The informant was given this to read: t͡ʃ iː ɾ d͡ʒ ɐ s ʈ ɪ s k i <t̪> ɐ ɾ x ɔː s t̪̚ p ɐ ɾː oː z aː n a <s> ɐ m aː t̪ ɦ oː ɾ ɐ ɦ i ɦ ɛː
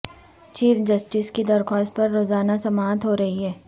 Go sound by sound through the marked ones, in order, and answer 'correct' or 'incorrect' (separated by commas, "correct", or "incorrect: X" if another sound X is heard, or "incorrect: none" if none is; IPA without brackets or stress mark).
incorrect: d̪, correct